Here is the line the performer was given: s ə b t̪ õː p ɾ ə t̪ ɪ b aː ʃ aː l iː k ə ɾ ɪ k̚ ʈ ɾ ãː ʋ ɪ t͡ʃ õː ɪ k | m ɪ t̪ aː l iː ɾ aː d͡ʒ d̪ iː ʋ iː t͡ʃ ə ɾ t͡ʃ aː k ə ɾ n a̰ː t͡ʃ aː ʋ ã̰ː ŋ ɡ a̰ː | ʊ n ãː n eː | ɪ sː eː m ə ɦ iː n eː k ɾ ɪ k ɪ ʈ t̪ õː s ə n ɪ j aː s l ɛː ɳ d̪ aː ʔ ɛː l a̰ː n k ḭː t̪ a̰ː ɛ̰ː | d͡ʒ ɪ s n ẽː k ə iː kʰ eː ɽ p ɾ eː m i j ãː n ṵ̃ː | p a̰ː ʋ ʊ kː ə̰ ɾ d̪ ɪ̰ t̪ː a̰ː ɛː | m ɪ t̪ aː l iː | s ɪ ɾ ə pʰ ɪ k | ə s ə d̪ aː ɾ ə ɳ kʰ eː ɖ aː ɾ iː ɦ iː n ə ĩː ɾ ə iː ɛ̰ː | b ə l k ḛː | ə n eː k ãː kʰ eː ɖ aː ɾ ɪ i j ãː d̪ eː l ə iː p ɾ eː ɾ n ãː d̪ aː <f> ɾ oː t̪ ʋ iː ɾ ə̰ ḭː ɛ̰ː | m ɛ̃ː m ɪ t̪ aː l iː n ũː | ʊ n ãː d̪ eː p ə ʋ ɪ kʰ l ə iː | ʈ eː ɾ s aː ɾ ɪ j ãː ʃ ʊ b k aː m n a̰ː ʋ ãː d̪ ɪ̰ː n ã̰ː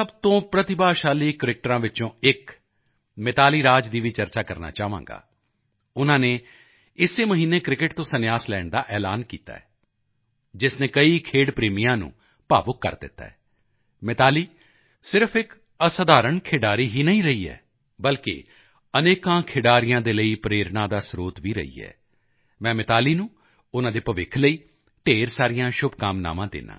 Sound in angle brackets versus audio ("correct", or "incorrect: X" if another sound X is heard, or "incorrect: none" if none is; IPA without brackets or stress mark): incorrect: s